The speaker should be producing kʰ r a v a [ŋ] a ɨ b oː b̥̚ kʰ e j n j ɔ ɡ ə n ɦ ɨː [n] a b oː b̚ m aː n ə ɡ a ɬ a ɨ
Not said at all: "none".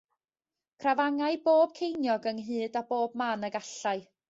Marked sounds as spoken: ŋ, d

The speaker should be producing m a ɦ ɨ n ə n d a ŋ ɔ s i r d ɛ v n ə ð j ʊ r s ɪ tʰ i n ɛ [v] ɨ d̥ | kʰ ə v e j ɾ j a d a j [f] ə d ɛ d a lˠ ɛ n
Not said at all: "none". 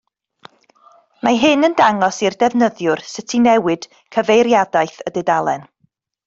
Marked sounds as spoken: w, θ

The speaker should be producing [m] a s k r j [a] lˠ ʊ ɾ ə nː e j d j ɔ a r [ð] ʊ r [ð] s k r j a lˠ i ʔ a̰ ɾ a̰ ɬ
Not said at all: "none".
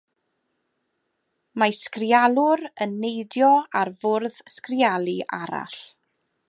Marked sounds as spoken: m, a, v, ð

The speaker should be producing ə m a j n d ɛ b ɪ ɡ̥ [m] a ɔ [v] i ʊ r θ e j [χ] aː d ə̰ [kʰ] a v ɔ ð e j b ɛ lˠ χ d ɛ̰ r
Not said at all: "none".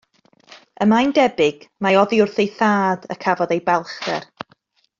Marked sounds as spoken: m, ð, θ, kʰ

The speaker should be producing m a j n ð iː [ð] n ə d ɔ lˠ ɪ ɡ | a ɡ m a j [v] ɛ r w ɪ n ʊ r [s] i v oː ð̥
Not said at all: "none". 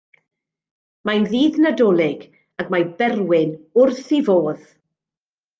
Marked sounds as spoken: ð, b, θ

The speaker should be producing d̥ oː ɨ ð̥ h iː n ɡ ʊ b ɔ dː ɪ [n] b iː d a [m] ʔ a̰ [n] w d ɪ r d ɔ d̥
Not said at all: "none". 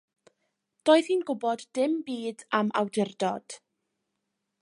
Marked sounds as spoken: m, m, none

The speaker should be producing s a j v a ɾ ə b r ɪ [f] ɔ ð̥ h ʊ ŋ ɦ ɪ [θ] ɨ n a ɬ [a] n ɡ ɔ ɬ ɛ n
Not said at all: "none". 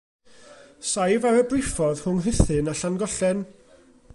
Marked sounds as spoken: f, θ, a

